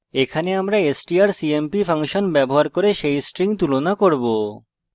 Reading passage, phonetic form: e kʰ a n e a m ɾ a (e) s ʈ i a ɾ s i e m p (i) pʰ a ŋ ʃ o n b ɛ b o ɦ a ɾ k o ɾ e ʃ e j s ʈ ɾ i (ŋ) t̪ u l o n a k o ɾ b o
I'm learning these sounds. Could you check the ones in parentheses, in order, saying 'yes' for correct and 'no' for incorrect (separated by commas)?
yes, yes, yes